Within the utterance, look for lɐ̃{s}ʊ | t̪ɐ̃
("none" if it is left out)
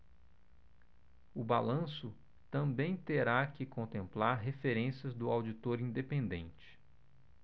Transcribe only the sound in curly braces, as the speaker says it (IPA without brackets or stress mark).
s